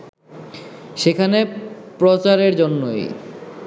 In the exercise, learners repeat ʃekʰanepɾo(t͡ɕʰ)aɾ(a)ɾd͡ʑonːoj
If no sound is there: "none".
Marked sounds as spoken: t͡ɕ, e

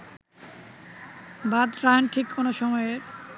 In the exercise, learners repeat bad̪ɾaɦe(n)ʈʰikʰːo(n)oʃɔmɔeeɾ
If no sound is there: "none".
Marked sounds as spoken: n, n

